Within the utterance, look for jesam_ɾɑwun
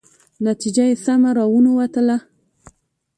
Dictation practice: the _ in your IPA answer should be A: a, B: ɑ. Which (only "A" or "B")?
A